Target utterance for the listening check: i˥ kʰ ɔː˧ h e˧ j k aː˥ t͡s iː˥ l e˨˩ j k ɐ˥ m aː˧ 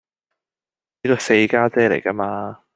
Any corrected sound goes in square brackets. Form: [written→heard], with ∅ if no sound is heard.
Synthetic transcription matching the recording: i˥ [kʰ→k] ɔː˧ [h→s] e˧ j k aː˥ t͡s [iː˥→ɛː˥] l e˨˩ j k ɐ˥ m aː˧